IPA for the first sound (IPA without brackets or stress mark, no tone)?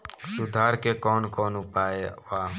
s